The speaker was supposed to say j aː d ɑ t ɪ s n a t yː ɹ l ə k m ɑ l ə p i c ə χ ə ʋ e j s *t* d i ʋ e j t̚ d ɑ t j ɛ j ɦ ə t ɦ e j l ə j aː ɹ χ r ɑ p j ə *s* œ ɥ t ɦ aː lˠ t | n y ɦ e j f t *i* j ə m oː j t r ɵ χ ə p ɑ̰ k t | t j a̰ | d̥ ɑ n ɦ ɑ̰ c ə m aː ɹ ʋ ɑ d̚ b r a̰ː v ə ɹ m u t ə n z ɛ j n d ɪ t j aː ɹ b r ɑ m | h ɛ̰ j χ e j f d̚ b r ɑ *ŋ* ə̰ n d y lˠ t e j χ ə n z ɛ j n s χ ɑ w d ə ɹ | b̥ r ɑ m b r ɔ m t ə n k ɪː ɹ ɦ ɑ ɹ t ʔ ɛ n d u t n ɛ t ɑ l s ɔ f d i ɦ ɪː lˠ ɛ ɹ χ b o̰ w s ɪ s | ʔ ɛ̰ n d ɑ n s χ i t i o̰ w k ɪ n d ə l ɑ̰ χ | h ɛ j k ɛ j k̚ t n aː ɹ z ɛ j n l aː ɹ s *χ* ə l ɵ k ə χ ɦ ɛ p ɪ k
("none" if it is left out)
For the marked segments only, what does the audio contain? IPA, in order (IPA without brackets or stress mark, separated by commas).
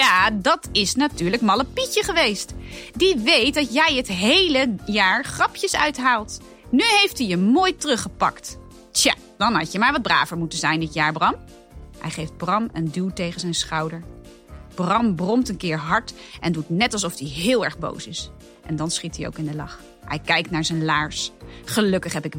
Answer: t, s, i, m, χ